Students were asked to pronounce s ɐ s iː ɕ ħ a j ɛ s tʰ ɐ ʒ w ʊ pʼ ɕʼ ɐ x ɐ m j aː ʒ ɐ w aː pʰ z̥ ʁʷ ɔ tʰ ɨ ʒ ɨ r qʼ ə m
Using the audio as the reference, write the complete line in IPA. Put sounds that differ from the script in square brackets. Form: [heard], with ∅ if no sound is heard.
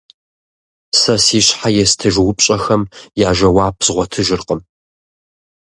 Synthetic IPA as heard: s ɐ s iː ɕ ħ a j ɛ s tʰ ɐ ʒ w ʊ pʼ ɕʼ ɐ x ɐ m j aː ʒ ɐ w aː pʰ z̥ ʁʷ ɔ tʰ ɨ ʒ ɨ r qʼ ə m